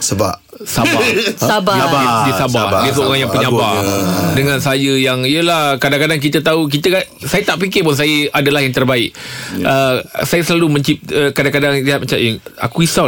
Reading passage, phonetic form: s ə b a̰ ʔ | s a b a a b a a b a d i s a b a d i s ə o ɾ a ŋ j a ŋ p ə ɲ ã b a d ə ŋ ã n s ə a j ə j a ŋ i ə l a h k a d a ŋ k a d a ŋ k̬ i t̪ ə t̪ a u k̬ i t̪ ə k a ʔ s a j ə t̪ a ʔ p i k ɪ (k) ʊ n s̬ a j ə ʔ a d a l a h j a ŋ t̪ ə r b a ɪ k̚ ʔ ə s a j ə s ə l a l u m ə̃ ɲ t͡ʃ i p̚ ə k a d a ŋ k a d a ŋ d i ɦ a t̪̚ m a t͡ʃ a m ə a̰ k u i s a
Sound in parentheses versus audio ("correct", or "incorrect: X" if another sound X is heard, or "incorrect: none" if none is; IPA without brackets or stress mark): incorrect: p